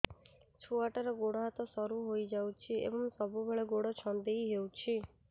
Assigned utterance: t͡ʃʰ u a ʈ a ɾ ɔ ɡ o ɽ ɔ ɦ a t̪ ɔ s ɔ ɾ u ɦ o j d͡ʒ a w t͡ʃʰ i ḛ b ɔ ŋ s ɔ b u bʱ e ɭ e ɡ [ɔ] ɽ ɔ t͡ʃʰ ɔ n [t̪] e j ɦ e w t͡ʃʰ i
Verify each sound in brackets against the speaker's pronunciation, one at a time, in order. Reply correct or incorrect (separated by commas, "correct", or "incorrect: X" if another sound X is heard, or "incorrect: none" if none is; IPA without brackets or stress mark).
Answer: incorrect: o, incorrect: d̪